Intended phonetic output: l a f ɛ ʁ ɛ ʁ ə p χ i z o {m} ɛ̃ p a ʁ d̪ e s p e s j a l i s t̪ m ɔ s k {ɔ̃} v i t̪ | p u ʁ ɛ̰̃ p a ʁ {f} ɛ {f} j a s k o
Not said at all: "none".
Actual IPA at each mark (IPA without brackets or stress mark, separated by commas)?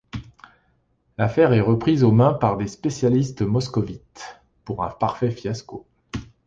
m, ɔ, f, f